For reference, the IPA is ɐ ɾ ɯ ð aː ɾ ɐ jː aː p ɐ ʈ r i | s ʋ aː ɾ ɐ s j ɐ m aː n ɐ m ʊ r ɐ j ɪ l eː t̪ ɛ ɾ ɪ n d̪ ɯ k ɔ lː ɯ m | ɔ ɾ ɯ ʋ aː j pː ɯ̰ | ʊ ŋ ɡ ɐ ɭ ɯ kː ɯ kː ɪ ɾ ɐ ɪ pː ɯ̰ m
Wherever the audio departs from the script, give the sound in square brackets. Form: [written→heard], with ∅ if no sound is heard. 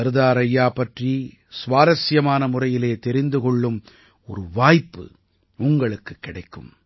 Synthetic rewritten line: ɐ ɾ ɯ ð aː ɾ ɐ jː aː p ɐ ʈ r i | s ʋ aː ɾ ɐ s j ɐ m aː n ɐ m ʊ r ɐ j ɪ l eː t̪ ɛ ɾ ɪ n d̪ ɯ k ɔ [lː→ɭː] ɯ m | ɔ ɾ ɯ ʋ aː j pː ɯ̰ | ʊ ŋ ɡ ɐ ɭ ɯ kː ɯ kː ɪ [ɾ→ɽ] ɐ ɪ [pː→kː] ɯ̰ m